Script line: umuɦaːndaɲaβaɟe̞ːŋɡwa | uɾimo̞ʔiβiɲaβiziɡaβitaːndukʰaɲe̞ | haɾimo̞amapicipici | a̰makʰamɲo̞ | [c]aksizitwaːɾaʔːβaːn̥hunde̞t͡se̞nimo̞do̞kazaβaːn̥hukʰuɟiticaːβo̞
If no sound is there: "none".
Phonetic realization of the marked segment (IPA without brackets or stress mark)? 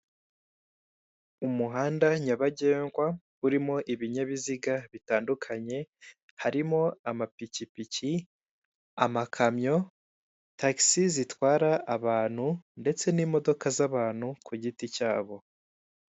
t